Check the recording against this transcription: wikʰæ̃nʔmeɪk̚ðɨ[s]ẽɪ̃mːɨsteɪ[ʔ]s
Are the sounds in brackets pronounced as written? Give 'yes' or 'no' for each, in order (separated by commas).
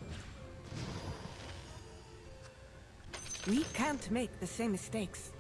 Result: yes, no